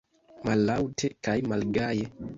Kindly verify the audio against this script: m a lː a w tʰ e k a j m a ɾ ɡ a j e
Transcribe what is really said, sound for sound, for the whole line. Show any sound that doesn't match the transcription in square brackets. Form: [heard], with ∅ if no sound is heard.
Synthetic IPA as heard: m a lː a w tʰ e k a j m a [l] ɡ a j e